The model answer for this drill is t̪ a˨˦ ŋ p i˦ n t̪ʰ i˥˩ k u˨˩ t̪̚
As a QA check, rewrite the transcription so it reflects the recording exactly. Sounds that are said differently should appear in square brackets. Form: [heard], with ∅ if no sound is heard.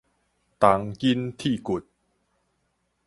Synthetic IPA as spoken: t̪ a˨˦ ŋ [k] i˦ n t̪ʰ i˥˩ k u˨˩ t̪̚